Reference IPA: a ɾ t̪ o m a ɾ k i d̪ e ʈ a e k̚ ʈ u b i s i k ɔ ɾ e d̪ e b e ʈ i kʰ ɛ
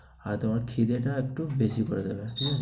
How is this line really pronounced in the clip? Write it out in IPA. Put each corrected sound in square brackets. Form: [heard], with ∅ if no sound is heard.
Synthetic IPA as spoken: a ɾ t̪ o m a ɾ [kʰ] i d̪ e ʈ a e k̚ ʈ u b [e] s i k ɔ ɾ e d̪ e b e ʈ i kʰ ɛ